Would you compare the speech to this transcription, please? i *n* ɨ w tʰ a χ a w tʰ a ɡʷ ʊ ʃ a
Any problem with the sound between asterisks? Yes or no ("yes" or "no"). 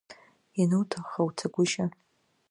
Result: no